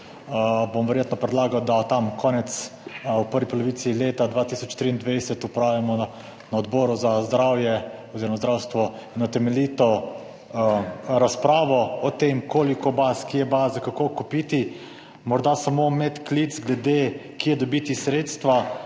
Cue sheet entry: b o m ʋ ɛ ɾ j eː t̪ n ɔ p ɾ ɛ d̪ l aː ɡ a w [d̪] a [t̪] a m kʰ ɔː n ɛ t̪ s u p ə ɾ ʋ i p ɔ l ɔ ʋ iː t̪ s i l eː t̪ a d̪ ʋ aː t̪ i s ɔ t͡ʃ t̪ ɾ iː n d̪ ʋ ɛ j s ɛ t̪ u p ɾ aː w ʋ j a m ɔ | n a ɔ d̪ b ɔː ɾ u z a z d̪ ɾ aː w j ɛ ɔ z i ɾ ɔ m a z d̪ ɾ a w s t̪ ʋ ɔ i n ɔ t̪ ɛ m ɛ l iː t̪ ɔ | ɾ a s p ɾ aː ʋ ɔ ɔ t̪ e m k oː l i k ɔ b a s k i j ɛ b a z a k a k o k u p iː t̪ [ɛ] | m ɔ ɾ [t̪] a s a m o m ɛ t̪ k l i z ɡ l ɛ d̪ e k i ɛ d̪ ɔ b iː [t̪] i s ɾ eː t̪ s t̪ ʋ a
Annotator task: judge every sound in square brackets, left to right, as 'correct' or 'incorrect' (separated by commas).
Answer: correct, correct, incorrect, incorrect, correct